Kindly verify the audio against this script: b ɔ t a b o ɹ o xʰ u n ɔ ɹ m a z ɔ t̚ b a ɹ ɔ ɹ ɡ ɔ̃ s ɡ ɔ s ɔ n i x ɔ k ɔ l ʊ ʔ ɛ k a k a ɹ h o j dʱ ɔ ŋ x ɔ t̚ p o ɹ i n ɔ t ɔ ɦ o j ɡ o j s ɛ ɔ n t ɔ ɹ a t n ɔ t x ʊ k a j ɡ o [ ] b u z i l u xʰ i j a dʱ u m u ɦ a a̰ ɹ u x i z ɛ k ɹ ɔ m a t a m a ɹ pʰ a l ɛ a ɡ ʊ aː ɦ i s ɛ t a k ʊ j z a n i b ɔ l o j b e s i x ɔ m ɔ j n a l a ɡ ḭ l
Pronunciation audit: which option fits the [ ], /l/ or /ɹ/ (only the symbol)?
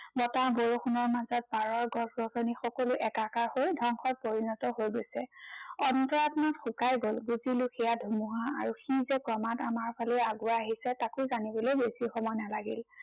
l